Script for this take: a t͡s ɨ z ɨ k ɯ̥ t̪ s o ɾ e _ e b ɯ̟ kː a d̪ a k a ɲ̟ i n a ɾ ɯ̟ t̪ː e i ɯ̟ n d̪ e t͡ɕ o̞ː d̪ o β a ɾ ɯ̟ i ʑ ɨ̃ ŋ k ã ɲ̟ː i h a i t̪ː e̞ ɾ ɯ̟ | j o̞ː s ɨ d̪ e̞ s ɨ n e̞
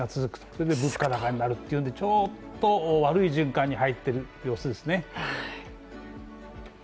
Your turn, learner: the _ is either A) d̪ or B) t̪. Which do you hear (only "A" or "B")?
A